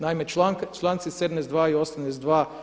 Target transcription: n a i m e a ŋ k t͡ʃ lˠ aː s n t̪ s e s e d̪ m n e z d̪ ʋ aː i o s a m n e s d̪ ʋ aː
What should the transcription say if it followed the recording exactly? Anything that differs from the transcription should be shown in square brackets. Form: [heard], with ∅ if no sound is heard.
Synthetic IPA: n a i m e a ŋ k t͡ʃ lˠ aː [∅] n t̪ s [i] s e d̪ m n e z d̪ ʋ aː i o s a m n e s d̪ ʋ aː